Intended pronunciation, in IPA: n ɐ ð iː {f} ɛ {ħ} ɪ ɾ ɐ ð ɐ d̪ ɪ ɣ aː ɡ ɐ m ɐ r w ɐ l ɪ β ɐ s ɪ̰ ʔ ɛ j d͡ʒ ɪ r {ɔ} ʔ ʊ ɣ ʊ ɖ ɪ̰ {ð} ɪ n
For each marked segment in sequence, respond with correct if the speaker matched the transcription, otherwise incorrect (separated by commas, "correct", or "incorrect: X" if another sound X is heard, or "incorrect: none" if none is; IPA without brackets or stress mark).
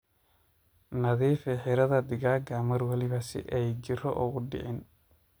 correct, correct, correct, incorrect: ʕ